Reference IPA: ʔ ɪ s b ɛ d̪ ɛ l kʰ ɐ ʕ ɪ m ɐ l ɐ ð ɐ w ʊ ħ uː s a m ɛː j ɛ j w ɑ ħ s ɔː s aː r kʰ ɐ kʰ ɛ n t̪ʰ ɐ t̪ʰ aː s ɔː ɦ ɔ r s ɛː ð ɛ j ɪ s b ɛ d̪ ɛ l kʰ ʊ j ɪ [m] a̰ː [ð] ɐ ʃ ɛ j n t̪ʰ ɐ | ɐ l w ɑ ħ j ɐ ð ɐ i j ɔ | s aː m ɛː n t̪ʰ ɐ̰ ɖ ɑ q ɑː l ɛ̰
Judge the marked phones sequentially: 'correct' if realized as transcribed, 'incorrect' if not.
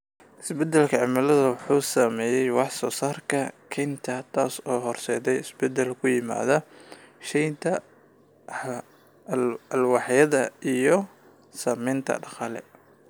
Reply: correct, correct

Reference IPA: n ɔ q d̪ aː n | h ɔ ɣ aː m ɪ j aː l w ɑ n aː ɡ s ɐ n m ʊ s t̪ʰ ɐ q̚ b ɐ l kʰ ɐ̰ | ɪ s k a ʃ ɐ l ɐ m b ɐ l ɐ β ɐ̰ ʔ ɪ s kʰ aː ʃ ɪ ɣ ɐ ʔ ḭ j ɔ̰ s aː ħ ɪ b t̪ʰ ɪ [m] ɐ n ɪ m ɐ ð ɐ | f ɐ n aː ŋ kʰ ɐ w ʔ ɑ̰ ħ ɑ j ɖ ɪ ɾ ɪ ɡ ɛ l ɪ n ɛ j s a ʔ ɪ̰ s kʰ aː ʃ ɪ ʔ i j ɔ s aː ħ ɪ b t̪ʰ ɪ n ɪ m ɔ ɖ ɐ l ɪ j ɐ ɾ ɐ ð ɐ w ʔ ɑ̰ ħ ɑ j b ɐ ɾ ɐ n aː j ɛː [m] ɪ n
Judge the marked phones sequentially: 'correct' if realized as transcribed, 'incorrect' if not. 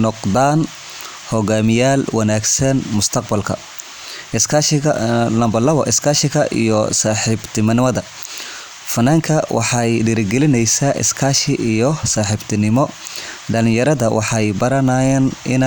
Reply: correct, incorrect

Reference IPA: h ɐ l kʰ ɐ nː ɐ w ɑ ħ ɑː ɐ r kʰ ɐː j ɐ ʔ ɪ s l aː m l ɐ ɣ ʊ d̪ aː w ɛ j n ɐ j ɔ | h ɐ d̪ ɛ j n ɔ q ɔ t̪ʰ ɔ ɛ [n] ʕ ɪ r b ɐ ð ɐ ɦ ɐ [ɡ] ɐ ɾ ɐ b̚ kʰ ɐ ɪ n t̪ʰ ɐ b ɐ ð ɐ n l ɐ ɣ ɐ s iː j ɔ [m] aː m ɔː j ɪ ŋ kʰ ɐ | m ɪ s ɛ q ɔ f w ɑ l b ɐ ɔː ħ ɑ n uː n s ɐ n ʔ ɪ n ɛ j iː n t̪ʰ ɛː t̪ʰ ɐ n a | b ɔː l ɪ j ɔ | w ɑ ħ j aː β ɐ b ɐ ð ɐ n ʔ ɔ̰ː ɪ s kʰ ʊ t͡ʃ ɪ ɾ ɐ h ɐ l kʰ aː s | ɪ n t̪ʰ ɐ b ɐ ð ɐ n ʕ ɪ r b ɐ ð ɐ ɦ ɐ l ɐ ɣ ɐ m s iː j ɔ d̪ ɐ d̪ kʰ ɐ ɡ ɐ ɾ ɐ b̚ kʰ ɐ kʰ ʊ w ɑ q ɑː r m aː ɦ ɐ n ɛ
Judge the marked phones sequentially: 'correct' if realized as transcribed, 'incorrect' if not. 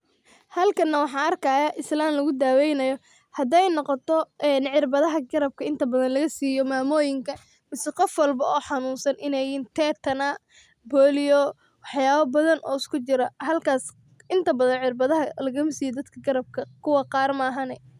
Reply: correct, correct, correct

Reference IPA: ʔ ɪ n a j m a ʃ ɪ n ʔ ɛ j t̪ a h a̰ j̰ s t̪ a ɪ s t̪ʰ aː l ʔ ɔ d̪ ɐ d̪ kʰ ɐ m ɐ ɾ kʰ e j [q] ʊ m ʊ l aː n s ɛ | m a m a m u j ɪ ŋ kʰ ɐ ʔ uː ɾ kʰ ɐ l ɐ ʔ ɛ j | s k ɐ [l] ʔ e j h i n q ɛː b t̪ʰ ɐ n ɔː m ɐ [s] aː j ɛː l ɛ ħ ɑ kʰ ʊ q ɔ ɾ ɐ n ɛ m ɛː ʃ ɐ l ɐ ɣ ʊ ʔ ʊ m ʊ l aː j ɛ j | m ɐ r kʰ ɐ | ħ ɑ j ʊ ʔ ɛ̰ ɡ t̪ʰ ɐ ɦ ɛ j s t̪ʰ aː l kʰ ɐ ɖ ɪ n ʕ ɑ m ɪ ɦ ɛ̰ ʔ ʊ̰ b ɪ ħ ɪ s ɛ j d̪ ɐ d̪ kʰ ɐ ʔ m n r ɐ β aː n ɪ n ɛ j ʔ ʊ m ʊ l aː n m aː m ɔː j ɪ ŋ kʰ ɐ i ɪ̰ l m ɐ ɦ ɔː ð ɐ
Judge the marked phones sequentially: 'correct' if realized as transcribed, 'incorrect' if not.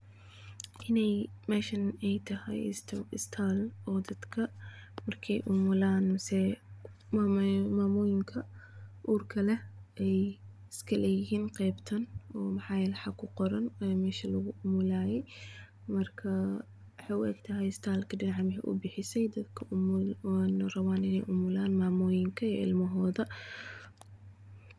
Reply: incorrect, correct, incorrect

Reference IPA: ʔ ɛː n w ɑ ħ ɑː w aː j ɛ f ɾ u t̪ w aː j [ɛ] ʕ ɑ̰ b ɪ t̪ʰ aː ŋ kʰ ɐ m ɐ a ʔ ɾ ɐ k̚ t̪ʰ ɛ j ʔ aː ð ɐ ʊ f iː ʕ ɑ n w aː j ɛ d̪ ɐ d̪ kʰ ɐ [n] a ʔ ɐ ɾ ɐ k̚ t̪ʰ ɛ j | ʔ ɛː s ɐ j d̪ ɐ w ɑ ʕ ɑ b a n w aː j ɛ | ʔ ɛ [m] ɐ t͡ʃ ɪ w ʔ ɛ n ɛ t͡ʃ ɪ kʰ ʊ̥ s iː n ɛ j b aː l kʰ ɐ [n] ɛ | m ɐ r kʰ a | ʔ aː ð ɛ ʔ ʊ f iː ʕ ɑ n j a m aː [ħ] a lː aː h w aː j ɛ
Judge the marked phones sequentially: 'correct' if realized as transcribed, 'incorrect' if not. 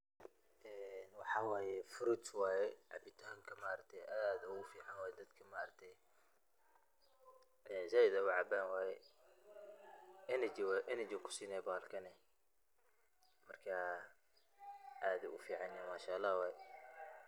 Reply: correct, incorrect, incorrect, correct, incorrect

